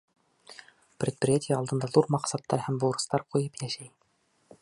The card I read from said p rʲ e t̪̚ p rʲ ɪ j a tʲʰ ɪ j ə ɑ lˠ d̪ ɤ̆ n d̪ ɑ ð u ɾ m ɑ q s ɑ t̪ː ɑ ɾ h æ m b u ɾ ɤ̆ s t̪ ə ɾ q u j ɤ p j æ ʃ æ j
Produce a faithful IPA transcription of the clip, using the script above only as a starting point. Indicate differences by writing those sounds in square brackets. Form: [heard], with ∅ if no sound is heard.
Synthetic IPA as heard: p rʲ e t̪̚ p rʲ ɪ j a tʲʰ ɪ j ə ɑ lˠ d̪ ɤ̆ n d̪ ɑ ð u ɾ m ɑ q s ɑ t̪ː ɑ ɾ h æ m b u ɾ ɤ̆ s t̪ [ɑ] ɾ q u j ɤ p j æ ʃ æ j